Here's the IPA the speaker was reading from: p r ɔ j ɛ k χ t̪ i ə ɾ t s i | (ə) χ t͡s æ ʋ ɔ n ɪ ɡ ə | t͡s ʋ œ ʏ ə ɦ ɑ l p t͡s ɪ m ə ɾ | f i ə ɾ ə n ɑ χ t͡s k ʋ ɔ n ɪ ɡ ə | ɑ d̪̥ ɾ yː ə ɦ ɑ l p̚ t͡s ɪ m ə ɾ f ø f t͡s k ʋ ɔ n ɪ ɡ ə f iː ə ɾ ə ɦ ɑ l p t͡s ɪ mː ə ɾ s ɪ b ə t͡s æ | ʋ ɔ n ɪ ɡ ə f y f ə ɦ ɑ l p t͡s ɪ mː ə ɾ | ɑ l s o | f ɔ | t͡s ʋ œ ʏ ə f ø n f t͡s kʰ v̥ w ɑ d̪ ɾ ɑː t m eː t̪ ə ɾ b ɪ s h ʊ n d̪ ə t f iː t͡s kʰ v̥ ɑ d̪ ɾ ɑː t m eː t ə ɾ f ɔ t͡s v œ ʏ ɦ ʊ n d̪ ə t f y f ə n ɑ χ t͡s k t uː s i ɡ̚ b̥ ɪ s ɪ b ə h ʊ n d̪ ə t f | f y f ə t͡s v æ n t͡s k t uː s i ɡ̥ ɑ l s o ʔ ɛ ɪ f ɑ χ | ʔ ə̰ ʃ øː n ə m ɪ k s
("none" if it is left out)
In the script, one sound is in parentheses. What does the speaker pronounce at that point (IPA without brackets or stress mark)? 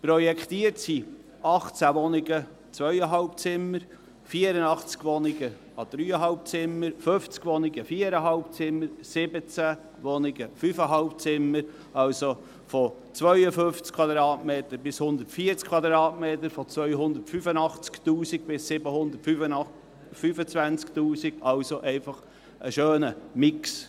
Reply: ɑ